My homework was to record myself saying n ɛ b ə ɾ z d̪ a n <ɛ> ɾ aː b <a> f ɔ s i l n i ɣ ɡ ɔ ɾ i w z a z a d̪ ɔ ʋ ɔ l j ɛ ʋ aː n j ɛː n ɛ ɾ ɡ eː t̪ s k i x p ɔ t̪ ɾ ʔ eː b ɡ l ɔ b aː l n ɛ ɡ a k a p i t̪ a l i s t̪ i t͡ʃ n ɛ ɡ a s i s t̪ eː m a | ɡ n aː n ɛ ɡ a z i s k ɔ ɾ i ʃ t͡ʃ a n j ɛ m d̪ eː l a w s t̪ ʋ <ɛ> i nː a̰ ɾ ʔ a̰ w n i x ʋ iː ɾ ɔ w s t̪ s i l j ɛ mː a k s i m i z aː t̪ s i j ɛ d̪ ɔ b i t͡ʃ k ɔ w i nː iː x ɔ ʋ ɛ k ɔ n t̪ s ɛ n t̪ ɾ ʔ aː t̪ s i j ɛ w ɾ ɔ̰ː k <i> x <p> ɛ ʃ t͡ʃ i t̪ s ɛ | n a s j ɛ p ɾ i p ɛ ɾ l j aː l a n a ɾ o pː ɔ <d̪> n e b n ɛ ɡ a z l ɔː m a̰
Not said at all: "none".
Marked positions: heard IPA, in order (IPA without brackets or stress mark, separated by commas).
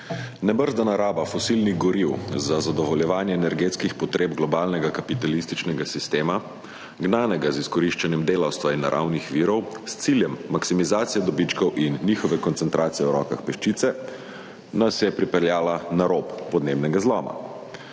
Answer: a, a, a, a, p, d̪